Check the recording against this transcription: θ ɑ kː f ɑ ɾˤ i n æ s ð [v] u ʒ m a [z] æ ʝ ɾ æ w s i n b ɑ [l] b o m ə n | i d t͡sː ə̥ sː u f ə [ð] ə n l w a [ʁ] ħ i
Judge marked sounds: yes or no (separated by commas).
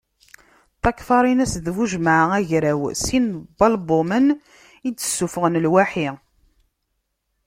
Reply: yes, no, yes, no, no